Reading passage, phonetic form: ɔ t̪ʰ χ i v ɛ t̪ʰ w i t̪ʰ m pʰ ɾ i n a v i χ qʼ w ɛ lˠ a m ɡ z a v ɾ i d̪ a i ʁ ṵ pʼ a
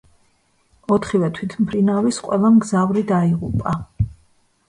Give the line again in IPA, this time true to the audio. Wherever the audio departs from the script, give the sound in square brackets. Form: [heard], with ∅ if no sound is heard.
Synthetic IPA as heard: ɔ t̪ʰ χ i v ɛ t̪ʰ w i t̪ʰ m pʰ ɾ i n a v i [s] qʼ w ɛ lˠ a m ɡ z a v ɾ i d̪ a i ʁ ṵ pʼ a